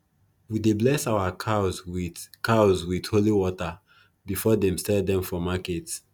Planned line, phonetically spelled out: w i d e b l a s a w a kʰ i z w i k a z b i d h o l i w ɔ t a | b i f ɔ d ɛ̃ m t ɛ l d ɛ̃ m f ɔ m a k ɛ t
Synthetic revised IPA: w i d e b l ɛ s a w a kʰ a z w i k a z w i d h o l i w ɔ t a | b i f ɔ d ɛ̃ m s ɛ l d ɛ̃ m f ɔ m a k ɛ t